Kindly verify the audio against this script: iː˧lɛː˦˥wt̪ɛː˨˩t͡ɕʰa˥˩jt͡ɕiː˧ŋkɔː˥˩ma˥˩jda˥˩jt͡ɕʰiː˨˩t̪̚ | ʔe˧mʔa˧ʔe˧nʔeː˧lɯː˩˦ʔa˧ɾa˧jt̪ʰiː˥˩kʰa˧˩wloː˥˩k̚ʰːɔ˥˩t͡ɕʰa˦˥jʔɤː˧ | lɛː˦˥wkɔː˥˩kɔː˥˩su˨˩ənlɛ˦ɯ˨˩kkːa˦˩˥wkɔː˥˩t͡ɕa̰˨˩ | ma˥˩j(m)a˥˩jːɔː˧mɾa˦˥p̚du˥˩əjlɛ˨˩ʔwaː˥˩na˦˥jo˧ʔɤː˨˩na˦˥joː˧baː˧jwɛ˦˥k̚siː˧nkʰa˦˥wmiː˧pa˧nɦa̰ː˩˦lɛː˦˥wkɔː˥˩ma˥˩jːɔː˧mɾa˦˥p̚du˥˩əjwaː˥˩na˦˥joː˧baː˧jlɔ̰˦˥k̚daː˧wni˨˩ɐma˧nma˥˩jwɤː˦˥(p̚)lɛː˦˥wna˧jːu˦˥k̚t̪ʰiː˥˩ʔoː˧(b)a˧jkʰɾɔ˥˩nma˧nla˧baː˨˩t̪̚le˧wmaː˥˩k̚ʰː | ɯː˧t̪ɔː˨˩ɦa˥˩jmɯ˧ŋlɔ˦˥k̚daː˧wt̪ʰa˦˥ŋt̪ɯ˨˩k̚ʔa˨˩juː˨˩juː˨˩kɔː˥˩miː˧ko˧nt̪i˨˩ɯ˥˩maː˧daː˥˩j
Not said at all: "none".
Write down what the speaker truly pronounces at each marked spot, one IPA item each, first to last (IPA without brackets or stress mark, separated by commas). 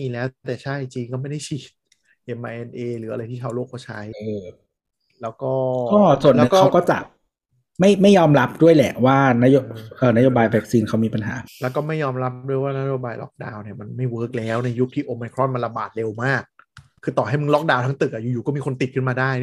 m, k̚, m